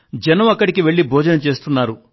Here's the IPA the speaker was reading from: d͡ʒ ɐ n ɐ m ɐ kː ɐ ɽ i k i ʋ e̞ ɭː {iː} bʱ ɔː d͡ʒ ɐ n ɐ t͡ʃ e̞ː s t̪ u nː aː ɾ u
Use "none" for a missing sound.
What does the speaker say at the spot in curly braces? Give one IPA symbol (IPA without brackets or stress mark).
i